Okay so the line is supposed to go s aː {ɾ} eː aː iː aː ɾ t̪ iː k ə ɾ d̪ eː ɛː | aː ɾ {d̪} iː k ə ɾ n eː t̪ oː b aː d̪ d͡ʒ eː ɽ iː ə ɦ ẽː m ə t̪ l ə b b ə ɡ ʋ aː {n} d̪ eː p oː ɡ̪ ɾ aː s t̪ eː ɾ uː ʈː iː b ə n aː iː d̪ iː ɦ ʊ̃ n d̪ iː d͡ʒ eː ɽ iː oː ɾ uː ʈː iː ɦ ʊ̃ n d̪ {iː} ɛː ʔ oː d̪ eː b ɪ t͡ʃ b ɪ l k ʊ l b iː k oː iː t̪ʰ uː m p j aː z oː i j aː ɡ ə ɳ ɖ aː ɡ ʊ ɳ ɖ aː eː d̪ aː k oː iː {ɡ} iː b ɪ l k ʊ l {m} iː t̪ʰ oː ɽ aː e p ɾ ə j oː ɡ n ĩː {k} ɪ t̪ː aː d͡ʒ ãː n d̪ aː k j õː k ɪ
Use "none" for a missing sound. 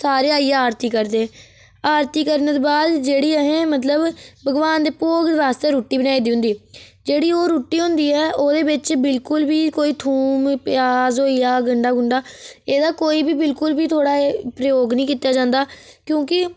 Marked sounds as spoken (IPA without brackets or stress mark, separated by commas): ɾ, t̪, n, iː, b, b, k